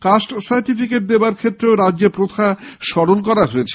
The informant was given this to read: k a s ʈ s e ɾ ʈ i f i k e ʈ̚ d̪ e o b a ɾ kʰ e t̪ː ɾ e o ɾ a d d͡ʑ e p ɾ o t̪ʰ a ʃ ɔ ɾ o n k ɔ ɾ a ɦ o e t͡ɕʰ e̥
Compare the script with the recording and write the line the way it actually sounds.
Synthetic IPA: k a s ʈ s a ɾ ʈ i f i k e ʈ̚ d̪ e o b a ɾ kʰ e t̪ː ɾ e o ɾ a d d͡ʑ e p ɾ o t̪ʰ a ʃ ɔ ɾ o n k ɔ ɾ a ɦ o e t͡ɕʰ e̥